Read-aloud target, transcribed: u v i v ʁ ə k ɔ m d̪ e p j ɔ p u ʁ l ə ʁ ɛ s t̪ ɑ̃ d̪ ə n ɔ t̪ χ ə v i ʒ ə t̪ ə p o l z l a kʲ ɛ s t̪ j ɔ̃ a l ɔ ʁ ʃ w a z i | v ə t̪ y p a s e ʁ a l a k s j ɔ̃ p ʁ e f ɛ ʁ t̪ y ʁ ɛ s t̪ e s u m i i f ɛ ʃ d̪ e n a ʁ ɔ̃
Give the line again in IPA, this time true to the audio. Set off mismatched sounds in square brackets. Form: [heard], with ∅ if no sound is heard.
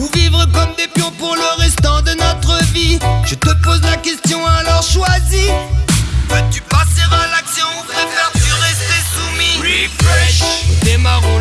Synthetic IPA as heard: u v i v ʁ ə k ɔ m d̪ e p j [ɔ̃] p u ʁ l ə ʁ ɛ s t̪ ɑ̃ d̪ ə n ɔ t̪ χ ə v i ʒ ə t̪ ə p o [∅] z l a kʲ ɛ s t̪ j ɔ̃ a l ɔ ʁ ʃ w a z i | v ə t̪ y p a s e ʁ a l a k s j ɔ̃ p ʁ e f ɛ ʁ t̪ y ʁ ɛ s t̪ e s u m i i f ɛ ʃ d̪ e [m] a ʁ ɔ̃

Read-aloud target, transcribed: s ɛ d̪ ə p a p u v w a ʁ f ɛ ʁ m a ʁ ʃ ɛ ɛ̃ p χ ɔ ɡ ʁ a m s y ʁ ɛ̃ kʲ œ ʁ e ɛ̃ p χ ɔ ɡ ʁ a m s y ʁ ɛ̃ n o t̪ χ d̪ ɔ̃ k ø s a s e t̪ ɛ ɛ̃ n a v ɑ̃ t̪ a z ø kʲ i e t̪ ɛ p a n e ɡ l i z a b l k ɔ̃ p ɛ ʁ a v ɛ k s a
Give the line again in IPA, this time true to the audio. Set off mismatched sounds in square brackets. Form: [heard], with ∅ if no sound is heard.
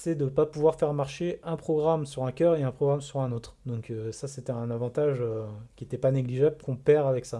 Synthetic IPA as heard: s ɛ d̪ ə p a p u v w a ʁ f ɛ ʁ m a ʁ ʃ [e] ɛ̃ p χ ɔ ɡ ʁ a m s y ʁ ɛ̃ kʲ œ ʁ e ɛ̃ p χ ɔ ɡ ʁ a m s y ʁ ɛ̃ n o t̪ χ d̪ ɔ̃ k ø s a s e t̪ ɛ ɛ̃ n a v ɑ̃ t̪ a [ʒ] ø kʲ i e t̪ ɛ p a n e ɡ l i [ʒ] a b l k ɔ̃ p ɛ ʁ a v ɛ k s a

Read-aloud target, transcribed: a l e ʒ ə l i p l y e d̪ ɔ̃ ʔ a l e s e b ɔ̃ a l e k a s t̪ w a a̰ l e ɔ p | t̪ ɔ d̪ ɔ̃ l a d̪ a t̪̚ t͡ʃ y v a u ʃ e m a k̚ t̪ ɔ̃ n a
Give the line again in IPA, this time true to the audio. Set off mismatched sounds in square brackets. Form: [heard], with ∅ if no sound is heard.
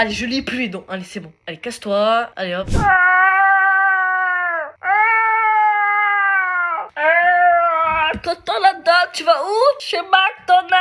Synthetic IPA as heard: a l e ʒ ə l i p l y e d̪ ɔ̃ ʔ a l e s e b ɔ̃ a l e k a s t̪ w a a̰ l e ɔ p | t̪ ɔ [t̪] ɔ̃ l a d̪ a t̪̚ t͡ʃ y v a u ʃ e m a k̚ t̪ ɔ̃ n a

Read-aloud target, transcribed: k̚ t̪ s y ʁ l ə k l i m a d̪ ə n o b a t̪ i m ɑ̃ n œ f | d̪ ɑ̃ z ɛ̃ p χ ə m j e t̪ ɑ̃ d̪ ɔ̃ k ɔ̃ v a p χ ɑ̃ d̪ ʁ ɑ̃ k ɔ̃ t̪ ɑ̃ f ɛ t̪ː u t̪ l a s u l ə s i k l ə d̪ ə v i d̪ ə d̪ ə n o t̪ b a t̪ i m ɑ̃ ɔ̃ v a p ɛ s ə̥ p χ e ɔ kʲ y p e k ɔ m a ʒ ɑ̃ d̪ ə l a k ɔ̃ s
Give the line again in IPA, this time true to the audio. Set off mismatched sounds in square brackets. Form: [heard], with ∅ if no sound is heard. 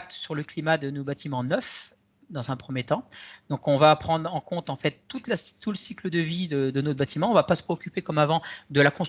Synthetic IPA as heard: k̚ t̪ s y ʁ l ə k l i m a d̪ ə n o b a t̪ i m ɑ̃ n œ f | d̪ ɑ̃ z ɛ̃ p χ ə m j e t̪ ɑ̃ d̪ ɔ̃ k ɔ̃ v a p χ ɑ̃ d̪ ʁ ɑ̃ k ɔ̃ t̪ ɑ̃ f ɛ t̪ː u t̪ l a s u l ə s i k l ə d̪ ə v i d̪ ə d̪ ə n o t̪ b a t̪ i m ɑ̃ ɔ̃ v a p [a] s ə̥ p χ e ɔ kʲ y p e k ɔ m a [v] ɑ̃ d̪ ə l a k ɔ̃ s

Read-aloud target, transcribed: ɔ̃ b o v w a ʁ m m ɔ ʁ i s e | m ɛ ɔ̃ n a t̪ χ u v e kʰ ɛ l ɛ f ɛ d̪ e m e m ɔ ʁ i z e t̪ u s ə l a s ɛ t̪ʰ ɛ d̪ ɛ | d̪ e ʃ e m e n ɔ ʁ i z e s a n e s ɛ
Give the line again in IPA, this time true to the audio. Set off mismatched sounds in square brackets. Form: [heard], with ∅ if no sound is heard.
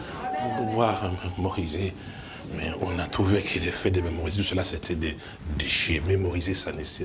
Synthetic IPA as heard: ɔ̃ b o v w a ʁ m m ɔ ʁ i [z] e | m ɛ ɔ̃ n a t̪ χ u v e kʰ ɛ l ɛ f ɛ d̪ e m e m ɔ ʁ i z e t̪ u s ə l a s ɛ t̪ʰ ɛ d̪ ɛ | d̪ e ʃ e m e [m] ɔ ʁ i z e s a n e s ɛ

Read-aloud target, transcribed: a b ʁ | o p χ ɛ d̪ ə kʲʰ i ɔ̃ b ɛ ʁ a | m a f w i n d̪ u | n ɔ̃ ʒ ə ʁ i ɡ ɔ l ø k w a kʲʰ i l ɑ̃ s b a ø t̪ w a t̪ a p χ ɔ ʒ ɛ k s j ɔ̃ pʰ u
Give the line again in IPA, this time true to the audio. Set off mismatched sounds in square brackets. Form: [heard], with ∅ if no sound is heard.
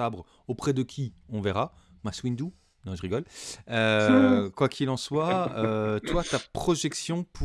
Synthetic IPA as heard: a b ʁ | o p χ ɛ d̪ ə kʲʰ i ɔ̃ [v] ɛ ʁ a | m a [s] w i n d̪ u | n ɔ̃ ʒ ə ʁ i ɡ ɔ l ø k w a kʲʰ i l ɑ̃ s [w] a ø t̪ w a t̪ a p χ ɔ ʒ ɛ k s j ɔ̃ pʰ u

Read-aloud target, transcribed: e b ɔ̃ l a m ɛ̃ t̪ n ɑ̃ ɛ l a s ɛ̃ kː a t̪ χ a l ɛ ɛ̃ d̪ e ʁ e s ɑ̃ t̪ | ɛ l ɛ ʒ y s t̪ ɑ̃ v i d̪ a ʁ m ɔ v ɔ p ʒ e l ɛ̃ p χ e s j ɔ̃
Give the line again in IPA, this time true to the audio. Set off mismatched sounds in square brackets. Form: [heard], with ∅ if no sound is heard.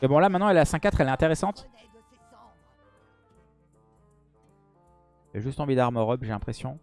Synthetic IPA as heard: e b ɔ̃ l a m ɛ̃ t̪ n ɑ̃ ɛ l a s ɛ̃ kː a t̪ χ [ɛ] l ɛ ɛ̃ [t̪] e ʁ e s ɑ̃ t̪ | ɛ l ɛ ʒ y s t̪ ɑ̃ v i d̪ a ʁ m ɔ [ʁ] ɔ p ʒ e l ɛ̃ p χ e s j ɔ̃

